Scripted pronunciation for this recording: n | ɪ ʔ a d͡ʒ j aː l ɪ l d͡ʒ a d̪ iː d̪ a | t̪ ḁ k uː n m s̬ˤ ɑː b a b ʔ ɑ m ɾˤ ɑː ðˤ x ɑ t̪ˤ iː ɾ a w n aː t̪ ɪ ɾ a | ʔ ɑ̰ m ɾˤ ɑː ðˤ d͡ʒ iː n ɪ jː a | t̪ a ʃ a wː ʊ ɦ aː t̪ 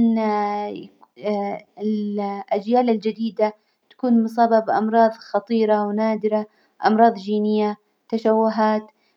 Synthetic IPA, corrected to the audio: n | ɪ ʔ a d͡ʒ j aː l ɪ l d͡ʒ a d̪ iː d̪ a | t̪ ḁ k uː n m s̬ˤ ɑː b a b ʔ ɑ m ɾˤ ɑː ðˤ x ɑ t̪ˤ iː ɾ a w n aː d̪ ɪ ɾ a | ʔ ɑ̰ m ɾˤ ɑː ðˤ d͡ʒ iː n ɪ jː a | t̪ a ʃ a wː ʊ ɦ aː t̪